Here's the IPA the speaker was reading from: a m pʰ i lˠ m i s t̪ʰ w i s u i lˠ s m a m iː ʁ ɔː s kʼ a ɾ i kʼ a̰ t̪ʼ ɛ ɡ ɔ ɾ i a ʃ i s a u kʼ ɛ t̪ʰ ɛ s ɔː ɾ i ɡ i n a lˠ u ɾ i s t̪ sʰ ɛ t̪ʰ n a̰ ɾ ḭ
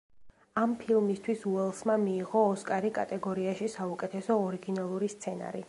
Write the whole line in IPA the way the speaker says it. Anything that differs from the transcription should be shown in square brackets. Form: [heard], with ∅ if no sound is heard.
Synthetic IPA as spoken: a m pʰ i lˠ m i s t̪ʰ w i s u [ɛ] lˠ s m a m iː ʁ ɔː s kʼ a ɾ i kʼ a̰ t̪ʼ ɛ ɡ ɔ ɾ i a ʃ i s a u kʼ ɛ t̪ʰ ɛ s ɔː ɾ i ɡ i n a lˠ u ɾ i s t̪ sʰ ɛ [∅] n a̰ ɾ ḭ